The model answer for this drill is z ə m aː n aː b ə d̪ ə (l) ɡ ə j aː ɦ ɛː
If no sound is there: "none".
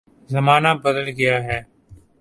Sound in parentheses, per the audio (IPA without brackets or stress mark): l